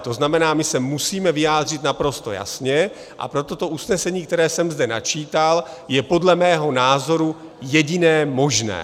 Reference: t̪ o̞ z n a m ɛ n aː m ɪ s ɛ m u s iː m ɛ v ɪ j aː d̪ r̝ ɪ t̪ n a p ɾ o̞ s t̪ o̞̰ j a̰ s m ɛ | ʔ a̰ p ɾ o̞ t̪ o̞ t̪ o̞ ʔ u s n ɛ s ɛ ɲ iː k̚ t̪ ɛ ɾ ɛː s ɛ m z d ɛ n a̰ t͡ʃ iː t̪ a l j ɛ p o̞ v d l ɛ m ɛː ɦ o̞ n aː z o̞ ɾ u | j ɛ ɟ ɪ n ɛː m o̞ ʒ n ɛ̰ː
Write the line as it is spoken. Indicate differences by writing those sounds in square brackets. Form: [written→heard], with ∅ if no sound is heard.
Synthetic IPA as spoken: t̪ o̞ z n a m ɛ n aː m ɪ s ɛ m u s iː m ɛ v ɪ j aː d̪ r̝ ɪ t̪ n a p ɾ o̞ s t̪ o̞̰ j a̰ s [m→ɲ] ɛ | ʔ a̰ p ɾ o̞ t̪ o̞ t̪ o̞ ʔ u s n ɛ s ɛ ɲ iː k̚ t̪ ɛ ɾ ɛː s ɛ m z d ɛ n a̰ t͡ʃ iː t̪ a l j ɛ p o̞ [v→∅] d l ɛ m ɛː ɦ o̞ n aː z o̞ ɾ u | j ɛ ɟ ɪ n ɛː m o̞ ʒ n ɛ̰ː